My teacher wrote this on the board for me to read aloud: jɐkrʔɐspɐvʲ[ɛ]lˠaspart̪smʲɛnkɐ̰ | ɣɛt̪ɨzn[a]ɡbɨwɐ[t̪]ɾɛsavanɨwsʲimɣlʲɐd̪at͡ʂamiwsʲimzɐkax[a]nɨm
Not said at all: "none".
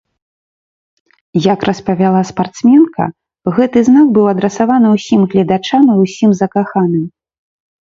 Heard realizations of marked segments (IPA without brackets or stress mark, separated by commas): a, a, d̪, a